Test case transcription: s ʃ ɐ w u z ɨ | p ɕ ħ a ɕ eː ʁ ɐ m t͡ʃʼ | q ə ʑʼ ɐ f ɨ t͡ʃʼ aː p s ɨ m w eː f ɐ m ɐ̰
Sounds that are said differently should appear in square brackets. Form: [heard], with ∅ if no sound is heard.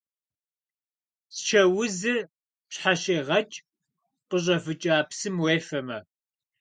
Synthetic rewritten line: s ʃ ɐ w [ʊ] z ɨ | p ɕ ħ a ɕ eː ʁ ɐ [∅] t͡ʃʼ | q ə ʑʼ ɐ f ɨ t͡ʃʼ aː p s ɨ m w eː f ɐ m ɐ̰